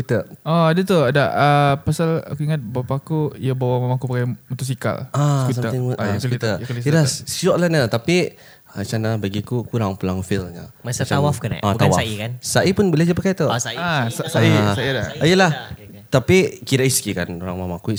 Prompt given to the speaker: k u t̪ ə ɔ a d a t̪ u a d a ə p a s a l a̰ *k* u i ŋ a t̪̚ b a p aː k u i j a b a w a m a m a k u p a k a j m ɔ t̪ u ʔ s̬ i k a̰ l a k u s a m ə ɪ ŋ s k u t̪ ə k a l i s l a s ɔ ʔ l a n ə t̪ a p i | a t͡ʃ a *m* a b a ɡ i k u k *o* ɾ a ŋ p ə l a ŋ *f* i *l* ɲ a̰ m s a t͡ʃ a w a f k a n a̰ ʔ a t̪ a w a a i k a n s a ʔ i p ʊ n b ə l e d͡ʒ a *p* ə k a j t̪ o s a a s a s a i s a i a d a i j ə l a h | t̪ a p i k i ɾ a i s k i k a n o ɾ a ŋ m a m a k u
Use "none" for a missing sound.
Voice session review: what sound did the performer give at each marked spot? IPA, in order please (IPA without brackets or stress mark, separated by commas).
k, n, u, f, l, p